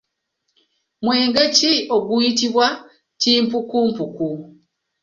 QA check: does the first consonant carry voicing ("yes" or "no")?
yes